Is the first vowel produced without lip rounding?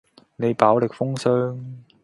yes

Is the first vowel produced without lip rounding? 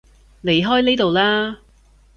yes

